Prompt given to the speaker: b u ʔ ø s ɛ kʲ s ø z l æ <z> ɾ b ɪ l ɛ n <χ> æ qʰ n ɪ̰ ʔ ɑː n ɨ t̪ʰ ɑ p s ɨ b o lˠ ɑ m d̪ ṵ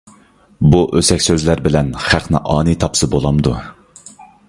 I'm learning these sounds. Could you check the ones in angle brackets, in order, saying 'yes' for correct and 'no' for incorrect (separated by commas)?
no, yes